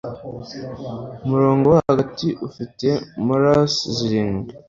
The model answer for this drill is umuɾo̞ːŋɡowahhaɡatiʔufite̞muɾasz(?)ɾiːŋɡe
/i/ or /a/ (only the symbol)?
i